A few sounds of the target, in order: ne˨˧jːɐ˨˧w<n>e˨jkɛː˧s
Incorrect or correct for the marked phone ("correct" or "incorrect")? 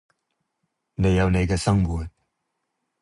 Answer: correct